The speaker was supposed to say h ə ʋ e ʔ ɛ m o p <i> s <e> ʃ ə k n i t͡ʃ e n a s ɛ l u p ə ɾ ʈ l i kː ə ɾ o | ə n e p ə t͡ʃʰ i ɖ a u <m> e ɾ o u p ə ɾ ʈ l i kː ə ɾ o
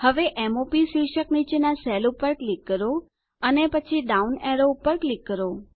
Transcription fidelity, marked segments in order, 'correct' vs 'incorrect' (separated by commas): correct, incorrect, incorrect